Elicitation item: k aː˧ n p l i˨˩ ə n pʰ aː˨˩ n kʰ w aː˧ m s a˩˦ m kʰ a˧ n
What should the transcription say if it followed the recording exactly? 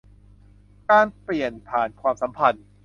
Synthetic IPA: k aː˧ n p l i˨˩ ə n pʰ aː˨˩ n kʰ w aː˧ m s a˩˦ m pʰ a˧ n